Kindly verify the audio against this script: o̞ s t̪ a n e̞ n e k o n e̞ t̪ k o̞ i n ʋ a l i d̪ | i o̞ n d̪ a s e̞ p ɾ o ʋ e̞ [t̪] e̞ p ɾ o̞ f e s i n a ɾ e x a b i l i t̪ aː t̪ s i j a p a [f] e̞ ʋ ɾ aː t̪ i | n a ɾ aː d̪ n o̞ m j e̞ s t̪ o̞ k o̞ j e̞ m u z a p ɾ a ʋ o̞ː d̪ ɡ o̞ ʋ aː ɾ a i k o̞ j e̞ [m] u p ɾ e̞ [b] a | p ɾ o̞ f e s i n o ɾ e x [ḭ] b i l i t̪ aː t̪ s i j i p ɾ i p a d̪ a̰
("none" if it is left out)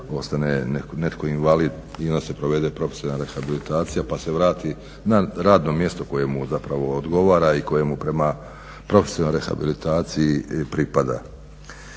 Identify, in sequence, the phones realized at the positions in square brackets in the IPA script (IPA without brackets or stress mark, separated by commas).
d̪, s, m, m, a̰